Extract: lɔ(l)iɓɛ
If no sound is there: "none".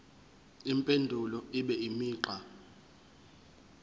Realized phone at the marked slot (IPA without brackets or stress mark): none